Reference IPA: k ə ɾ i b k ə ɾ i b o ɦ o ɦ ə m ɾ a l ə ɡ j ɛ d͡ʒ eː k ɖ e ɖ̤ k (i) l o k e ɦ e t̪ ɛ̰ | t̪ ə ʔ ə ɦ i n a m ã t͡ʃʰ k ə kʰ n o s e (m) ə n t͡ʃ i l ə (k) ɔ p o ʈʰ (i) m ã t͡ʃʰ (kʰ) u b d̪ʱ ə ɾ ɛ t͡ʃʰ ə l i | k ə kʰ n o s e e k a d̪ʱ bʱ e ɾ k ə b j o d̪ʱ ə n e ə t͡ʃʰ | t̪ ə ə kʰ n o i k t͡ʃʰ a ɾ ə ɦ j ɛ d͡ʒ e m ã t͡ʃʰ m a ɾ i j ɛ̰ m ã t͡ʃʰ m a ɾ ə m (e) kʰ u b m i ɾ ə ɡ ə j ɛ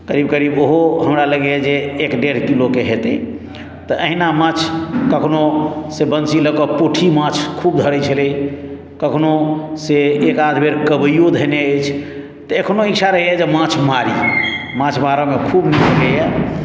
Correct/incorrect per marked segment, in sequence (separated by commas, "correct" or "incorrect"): correct, incorrect, correct, correct, correct, correct